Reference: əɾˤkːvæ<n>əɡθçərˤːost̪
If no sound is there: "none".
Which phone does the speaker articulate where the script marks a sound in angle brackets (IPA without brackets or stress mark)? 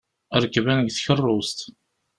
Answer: n